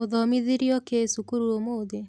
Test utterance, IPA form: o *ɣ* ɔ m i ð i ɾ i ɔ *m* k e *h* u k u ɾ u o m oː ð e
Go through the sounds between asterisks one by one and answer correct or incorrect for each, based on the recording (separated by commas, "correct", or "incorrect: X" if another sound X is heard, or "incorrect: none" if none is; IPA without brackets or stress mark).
incorrect: ð, incorrect: none, incorrect: s